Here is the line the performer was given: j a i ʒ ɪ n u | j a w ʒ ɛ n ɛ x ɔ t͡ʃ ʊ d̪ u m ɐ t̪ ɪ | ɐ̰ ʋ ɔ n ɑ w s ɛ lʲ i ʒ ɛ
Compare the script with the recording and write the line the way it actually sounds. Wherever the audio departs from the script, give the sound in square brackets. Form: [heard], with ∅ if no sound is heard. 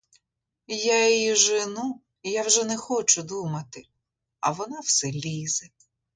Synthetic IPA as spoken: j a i ʒ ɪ n u | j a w ʒ ɛ n ɛ x ɔ t͡ʃ ʊ d̪ u m ɐ t̪ ɪ | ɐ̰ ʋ ɔ n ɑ w s ɛ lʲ i [z] ɛ